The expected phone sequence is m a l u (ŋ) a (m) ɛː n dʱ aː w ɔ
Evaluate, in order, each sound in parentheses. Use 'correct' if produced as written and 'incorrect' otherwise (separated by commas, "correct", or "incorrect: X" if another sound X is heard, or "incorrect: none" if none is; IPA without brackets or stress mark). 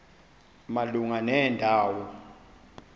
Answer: correct, incorrect: n